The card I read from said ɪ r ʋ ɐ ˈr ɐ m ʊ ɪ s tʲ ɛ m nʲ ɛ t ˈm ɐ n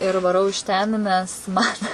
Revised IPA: ɪ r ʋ ɐ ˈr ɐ ʊ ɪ ʃ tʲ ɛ n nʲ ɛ s ˈm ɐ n